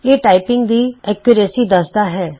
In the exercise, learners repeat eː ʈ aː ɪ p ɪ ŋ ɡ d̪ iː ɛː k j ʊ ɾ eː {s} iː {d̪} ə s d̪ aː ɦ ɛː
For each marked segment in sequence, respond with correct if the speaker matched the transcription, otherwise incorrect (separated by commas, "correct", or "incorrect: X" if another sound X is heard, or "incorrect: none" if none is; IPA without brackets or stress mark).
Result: correct, correct